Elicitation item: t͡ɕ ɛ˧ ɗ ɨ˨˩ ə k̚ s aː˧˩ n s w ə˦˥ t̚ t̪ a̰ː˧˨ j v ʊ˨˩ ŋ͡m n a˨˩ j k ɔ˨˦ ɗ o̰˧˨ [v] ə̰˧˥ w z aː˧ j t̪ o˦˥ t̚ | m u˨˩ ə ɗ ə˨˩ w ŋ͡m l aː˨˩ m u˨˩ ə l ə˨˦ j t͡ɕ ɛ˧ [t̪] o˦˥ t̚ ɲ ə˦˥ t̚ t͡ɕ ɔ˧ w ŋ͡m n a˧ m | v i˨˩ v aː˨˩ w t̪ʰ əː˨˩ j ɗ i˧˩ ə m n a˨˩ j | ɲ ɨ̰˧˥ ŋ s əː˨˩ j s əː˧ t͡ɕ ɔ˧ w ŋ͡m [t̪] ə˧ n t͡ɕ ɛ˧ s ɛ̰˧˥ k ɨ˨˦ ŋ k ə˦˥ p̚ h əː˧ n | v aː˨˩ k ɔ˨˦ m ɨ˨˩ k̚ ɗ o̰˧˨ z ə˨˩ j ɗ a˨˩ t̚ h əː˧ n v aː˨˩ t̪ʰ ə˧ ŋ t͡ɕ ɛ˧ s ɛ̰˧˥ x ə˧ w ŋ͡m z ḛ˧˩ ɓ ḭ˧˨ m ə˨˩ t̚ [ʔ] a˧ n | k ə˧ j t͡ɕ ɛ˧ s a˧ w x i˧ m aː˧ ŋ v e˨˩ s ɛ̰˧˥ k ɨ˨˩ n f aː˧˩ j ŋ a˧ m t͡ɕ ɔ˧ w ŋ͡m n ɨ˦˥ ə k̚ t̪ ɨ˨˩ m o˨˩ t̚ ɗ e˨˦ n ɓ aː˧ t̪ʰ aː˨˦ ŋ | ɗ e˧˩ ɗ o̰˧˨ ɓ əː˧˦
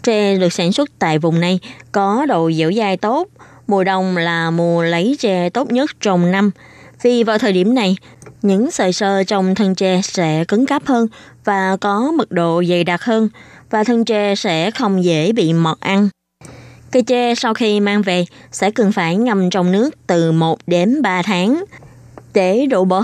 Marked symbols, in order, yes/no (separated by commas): no, yes, no, yes